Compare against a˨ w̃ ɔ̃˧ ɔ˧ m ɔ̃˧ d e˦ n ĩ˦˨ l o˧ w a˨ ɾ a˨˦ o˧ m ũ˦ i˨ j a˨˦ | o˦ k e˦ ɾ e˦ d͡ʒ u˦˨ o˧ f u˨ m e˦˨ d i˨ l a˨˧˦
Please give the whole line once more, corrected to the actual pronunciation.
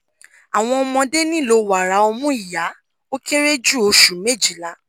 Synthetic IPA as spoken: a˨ w̃ ɔ̃˧ ɔ˧ m ɔ̃˧ d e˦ n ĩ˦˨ l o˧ w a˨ ɾ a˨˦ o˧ m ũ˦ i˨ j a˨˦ | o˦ k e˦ ɾ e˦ d͡ʒ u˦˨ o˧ ʃ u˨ m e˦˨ d͡ʒ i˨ l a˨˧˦

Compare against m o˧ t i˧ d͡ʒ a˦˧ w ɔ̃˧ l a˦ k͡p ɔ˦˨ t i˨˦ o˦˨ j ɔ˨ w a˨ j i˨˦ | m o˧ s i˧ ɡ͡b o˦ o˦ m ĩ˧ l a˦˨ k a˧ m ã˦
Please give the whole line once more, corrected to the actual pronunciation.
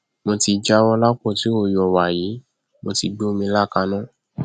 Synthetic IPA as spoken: m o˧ t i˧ d͡ʒ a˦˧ w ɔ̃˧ l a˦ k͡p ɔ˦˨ t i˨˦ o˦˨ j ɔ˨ w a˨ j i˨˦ | m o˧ t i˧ ɡ͡b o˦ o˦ m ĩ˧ l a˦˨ k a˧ n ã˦

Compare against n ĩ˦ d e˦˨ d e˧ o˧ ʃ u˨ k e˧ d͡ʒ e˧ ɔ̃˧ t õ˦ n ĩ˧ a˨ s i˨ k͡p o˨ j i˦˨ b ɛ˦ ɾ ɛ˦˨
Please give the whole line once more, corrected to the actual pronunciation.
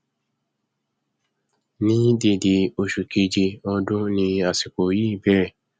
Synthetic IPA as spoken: n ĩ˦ d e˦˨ d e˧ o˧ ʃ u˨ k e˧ d͡ʒ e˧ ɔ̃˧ d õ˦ n ĩ˧ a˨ s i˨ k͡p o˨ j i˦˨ b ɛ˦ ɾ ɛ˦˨

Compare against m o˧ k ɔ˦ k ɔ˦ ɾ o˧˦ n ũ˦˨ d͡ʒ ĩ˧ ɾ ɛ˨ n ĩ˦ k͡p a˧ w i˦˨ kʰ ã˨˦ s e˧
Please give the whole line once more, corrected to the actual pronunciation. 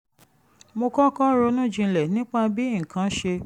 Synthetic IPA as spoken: m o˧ k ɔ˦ k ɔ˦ ɾ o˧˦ n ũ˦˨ d͡ʒ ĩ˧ l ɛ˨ n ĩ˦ k͡p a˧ b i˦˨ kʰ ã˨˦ ʃ e˧

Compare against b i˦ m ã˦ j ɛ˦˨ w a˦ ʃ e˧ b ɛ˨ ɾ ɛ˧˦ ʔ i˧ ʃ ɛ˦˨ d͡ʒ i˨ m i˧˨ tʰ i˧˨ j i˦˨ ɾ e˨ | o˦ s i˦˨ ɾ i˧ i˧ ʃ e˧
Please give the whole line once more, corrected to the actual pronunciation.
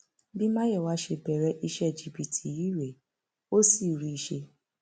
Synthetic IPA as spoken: b i˦ m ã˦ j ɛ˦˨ w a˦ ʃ e˧ b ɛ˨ ɾ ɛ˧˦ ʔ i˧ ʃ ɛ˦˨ d͡ʒ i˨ b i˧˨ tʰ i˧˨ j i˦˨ ɾ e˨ | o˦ s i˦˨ ɾ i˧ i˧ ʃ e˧

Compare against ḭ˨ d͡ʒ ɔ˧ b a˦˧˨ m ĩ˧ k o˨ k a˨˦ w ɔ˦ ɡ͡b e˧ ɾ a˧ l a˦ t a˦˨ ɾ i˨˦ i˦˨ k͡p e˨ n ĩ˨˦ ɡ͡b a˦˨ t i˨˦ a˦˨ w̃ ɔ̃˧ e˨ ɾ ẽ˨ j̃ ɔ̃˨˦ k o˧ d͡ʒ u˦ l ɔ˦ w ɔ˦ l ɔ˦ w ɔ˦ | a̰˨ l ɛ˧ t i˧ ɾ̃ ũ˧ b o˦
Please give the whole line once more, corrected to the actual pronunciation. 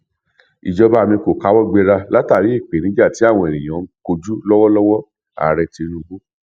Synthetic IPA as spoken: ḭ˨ d͡ʒ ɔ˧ b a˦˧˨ m ĩ˧ k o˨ k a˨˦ w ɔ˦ ɡ͡b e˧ ɾ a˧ l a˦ t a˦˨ ɾ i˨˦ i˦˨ k͡p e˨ n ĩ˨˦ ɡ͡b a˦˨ t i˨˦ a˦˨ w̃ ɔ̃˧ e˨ ɾ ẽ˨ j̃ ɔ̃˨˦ k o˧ d͡ʒ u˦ l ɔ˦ w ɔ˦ l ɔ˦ w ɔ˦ | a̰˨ ɾ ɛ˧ t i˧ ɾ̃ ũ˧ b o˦

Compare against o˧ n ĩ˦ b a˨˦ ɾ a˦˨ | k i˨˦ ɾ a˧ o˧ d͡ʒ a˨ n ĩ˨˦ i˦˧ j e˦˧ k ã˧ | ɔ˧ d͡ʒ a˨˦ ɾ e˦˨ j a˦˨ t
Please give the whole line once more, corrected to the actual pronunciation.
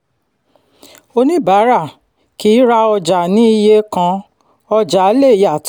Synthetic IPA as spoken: o˧ n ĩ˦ b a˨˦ ɾ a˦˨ | k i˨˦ ɾ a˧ ɔ˧ d͡ʒ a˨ n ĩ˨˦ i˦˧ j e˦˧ k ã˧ | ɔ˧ d͡ʒ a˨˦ l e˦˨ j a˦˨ t

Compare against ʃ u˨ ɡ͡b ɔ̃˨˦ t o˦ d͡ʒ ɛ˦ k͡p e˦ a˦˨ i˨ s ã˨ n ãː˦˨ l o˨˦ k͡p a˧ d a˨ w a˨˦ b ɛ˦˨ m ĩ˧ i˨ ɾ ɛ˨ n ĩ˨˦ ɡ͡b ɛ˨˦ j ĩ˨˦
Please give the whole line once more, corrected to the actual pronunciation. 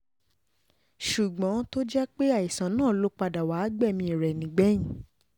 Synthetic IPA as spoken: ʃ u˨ ɡ͡b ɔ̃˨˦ t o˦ d͡ʒ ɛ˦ k͡p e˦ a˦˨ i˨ s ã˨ n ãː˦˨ l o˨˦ k͡p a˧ d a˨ w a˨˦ ɡ͡b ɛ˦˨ m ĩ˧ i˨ ɾ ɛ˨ n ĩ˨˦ ɡ͡b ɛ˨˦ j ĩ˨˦

